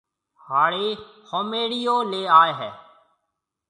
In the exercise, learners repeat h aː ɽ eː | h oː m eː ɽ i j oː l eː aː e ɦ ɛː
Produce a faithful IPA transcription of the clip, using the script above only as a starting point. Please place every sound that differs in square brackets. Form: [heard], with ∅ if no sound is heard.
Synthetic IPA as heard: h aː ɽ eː | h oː m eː ɽ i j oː l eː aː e ɦ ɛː